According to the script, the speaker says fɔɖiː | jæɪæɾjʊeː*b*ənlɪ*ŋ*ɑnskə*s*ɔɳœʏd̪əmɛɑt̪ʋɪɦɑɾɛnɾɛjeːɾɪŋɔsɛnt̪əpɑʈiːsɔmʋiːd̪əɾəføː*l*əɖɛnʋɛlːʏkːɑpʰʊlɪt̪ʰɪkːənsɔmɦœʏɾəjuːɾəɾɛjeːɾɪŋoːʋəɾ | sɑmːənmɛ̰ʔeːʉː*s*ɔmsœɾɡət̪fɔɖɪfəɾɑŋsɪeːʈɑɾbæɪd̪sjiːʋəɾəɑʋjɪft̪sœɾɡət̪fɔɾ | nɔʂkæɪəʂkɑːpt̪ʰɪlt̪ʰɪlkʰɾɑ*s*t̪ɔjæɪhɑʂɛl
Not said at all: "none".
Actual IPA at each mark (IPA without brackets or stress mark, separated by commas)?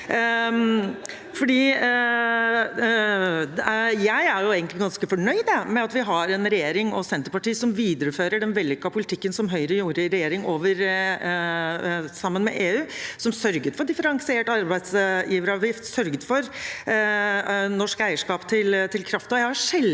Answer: ɡ, ɡ, f, ɾ, s, f